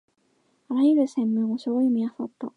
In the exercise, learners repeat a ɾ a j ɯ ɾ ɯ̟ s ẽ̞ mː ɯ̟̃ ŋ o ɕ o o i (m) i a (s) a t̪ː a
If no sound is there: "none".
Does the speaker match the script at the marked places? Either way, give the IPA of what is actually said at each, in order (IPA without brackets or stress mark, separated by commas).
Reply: m, s